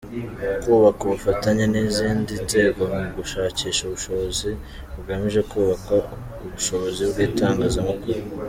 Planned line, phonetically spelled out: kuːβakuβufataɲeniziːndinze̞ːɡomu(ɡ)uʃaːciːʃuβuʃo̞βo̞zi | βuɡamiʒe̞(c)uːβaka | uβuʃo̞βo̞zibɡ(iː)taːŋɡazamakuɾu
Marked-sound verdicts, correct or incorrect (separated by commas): correct, incorrect, correct